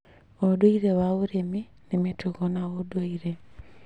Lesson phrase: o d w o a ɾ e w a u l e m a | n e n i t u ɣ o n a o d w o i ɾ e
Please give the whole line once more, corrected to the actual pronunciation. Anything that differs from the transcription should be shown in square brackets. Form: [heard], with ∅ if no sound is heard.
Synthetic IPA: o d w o [i] ɾ e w a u [ɾ] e m [i] | n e [m] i t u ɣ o n a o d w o i ɾ e